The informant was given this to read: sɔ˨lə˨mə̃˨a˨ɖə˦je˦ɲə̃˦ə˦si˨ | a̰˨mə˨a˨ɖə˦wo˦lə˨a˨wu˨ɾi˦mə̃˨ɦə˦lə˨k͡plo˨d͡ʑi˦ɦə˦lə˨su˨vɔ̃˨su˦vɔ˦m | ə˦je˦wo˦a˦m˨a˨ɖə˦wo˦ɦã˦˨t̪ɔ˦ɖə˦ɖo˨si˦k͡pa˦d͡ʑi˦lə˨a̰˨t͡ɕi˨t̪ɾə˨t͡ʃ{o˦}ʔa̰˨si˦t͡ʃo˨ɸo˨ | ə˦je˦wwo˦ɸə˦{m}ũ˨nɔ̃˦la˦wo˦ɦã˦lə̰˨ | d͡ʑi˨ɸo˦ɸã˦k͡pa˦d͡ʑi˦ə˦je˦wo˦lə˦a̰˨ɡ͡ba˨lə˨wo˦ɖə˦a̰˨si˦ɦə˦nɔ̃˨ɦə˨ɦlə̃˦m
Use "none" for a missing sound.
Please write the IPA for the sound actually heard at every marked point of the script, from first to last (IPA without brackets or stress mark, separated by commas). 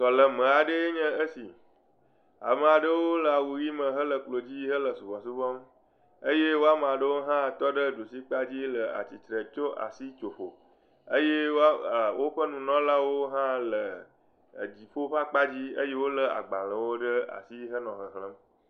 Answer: o˦, n